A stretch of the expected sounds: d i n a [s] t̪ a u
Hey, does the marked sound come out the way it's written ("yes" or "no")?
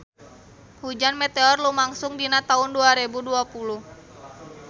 no